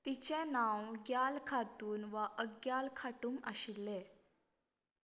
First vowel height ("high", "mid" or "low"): high